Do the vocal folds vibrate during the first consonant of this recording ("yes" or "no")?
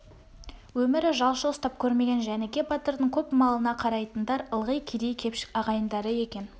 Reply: yes